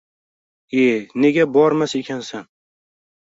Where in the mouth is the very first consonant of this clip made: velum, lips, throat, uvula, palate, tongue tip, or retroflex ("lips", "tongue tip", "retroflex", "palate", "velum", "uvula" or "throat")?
tongue tip